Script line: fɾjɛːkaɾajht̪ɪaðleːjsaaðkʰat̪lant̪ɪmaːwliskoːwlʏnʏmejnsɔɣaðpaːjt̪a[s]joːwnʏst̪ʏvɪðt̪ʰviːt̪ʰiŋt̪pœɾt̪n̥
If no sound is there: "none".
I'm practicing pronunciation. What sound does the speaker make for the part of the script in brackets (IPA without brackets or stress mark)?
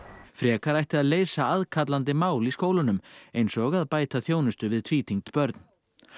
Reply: θ